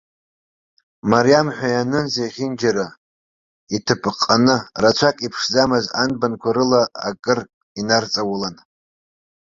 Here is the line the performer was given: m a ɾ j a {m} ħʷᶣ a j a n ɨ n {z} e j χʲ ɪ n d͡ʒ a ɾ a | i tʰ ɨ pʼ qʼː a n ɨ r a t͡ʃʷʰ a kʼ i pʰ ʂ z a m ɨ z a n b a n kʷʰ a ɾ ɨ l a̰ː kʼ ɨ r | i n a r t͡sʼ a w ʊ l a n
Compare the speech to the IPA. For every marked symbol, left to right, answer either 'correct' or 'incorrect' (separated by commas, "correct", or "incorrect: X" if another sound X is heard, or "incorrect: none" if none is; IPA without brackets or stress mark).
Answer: correct, correct